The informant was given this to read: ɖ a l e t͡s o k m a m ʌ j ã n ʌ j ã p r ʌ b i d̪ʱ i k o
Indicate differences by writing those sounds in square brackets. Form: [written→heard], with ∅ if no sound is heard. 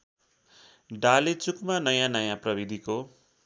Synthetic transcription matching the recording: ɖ a l e t͡s [o→u] k m a [m→n] ʌ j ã n ʌ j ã p r ʌ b i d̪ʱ i k o